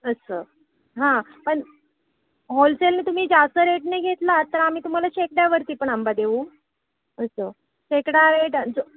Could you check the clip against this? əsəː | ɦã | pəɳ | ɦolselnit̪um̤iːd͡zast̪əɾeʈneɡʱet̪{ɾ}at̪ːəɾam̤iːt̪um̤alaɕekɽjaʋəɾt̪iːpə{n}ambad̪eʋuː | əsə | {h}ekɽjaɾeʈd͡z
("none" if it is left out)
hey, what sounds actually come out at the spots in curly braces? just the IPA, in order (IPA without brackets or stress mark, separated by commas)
l, ɳ, ɕ